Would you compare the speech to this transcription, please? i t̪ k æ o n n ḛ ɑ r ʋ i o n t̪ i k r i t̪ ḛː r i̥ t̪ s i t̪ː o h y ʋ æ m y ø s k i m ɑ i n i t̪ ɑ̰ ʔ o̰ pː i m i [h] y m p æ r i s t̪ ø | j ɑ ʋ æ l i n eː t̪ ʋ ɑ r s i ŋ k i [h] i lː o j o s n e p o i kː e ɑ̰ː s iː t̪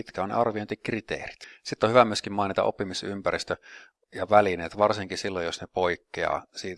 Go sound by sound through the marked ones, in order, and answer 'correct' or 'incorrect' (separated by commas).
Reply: incorrect, incorrect